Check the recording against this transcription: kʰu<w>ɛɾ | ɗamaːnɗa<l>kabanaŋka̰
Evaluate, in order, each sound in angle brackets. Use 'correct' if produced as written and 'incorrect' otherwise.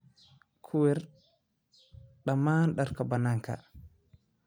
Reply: correct, incorrect

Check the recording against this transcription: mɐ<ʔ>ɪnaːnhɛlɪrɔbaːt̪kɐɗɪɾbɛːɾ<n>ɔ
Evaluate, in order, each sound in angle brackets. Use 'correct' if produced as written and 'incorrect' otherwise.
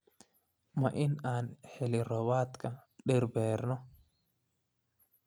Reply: correct, correct

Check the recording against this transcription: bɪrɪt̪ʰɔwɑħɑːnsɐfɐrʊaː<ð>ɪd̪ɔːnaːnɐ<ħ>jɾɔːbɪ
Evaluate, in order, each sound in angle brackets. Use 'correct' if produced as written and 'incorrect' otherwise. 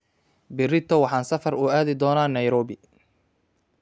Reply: correct, incorrect

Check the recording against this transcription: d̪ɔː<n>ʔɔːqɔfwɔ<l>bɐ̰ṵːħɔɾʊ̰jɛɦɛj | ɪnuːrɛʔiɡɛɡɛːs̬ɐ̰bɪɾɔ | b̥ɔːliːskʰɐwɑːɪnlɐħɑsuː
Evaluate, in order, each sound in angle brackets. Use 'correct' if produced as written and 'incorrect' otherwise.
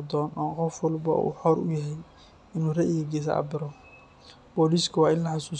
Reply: correct, correct

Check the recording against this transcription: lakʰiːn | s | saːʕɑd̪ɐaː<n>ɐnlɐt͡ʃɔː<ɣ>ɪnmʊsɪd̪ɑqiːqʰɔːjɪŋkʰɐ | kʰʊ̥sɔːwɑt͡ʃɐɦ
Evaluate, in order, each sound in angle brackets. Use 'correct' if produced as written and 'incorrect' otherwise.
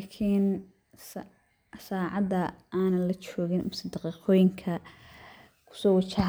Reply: correct, correct

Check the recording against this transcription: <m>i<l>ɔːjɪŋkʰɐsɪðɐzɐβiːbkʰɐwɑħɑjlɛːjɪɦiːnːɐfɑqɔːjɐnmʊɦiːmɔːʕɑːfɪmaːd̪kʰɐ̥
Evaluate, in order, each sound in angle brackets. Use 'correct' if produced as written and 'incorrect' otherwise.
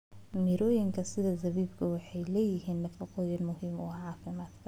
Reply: correct, incorrect

